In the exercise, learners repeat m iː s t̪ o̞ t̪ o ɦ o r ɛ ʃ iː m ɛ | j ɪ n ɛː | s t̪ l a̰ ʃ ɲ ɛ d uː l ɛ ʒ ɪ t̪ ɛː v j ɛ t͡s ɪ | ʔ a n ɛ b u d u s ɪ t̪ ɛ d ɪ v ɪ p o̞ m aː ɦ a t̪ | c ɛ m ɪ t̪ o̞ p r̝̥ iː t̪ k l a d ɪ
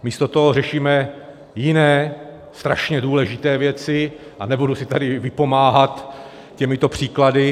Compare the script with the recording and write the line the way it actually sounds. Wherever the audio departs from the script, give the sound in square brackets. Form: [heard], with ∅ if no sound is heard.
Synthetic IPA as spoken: m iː s t̪ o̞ t̪ o ɦ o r ɛ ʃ iː m ɛ | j ɪ n ɛː | s t̪ [ɾ] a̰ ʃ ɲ ɛ d uː l ɛ ʒ ɪ t̪ ɛː v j ɛ t͡s ɪ | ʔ a n ɛ b u d u s ɪ t̪ [a] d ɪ v ɪ p o̞ m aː ɦ a t̪ | c ɛ m ɪ t̪ o̞ p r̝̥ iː [∅] k l a d ɪ